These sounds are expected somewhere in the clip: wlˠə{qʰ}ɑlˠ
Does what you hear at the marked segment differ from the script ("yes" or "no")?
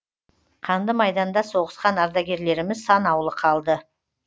no